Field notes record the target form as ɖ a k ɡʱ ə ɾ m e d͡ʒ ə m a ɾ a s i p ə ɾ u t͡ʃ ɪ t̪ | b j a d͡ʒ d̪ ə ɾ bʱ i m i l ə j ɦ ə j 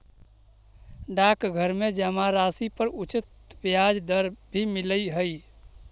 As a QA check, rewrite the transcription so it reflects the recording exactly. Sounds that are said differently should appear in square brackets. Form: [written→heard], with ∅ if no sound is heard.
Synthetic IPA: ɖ a k ɡʱ ə ɾ m e d͡ʒ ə m a ɾ a s i p ə ɾ u t͡ʃ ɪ t̪ | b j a d͡ʒ d̪ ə ɾ bʱ i m i l ə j ɦ ə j